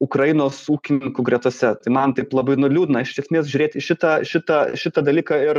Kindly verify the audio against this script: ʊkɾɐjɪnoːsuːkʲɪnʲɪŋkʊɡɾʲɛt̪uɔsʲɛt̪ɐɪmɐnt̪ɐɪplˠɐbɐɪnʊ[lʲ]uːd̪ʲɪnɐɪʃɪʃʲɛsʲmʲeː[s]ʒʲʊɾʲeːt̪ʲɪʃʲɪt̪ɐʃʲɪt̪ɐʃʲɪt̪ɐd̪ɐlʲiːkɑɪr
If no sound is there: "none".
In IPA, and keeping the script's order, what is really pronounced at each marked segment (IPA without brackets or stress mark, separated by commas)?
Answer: lʲ, s